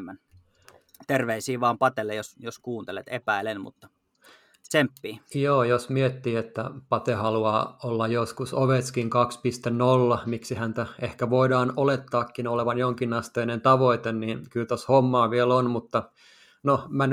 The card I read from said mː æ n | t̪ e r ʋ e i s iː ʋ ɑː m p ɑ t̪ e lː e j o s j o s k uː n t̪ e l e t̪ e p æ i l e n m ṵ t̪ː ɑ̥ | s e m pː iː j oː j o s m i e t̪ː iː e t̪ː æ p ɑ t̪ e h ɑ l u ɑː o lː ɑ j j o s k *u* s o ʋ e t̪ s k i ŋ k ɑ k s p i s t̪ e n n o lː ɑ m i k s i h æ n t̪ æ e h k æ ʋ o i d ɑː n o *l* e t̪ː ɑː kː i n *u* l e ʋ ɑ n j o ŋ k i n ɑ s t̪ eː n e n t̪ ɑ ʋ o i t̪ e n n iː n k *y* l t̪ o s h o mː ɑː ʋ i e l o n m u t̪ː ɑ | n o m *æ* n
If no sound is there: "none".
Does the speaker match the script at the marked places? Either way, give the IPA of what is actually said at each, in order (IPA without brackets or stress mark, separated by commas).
u, l, o, y, æ